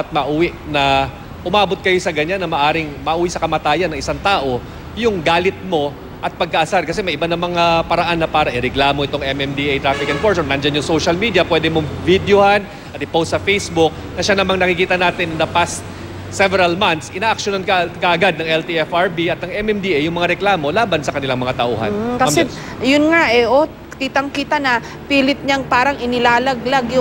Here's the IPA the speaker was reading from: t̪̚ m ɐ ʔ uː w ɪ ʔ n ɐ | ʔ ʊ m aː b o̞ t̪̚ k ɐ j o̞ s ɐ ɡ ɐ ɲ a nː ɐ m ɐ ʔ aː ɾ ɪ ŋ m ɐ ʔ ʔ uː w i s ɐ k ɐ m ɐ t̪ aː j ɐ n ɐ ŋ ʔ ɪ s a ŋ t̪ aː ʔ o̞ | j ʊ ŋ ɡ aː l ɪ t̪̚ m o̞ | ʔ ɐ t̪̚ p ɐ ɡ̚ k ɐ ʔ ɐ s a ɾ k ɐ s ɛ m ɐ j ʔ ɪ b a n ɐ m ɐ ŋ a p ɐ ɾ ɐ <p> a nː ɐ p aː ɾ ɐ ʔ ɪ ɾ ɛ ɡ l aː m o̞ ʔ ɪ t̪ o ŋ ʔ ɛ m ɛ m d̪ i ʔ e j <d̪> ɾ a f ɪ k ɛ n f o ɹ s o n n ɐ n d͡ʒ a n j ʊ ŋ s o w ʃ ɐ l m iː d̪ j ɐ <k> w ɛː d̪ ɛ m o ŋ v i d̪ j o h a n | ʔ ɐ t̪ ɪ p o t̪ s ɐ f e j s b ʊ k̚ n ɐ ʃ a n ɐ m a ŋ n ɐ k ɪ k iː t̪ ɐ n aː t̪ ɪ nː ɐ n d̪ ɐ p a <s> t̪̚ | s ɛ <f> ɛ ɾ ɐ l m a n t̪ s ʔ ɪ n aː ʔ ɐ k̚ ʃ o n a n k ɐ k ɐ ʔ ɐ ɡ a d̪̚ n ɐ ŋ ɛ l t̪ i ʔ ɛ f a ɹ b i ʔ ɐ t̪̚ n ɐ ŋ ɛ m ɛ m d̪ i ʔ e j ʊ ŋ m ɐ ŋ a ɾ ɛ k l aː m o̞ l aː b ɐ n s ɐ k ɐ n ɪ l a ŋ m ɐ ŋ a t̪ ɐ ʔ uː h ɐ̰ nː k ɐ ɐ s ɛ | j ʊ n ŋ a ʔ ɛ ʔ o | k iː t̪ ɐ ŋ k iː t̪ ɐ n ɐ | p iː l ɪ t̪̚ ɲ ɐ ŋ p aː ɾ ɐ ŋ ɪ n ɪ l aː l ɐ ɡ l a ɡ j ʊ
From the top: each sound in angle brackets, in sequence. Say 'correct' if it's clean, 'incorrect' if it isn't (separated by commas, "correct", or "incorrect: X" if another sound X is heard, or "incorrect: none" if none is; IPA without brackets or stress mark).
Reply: incorrect: ʔ, incorrect: t̪, incorrect: p, correct, incorrect: v